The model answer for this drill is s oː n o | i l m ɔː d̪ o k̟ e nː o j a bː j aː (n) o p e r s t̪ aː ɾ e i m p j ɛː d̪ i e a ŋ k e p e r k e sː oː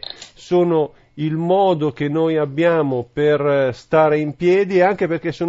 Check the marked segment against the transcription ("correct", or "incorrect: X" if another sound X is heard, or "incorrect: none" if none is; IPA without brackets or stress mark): incorrect: m